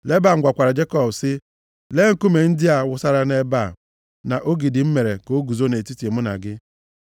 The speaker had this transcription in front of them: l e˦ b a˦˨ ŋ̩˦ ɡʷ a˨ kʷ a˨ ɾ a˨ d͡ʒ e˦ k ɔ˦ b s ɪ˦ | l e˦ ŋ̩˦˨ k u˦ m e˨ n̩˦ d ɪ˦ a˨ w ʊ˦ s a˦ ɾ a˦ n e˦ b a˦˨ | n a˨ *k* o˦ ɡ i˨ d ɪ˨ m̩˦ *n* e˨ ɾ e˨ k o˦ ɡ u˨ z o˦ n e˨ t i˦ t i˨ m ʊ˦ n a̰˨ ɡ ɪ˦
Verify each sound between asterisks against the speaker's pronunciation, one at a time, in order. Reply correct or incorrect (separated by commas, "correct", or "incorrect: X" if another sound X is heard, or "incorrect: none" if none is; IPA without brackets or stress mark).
incorrect: ʔ, incorrect: m